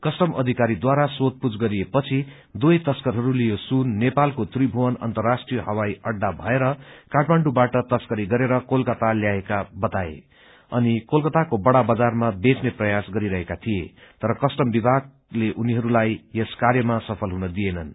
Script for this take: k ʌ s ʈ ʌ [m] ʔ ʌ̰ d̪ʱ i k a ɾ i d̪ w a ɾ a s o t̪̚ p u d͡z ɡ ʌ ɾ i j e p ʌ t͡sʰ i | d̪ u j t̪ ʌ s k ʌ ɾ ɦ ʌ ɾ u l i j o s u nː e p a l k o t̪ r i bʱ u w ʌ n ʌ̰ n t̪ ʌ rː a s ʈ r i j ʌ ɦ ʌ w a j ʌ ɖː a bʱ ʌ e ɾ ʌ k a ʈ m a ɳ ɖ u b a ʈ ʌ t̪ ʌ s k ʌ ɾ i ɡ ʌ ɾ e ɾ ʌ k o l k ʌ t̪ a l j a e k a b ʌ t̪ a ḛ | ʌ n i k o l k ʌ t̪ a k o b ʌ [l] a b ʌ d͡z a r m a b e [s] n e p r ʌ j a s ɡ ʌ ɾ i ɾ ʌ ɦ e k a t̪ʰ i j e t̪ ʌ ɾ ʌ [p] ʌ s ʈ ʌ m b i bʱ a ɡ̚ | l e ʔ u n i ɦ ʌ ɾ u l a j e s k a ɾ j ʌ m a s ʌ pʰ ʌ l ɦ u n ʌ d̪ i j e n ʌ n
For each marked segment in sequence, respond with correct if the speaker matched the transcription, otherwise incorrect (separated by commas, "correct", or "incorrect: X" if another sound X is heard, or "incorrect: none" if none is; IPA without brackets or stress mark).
correct, incorrect: ɽ, incorrect: t͡s, incorrect: k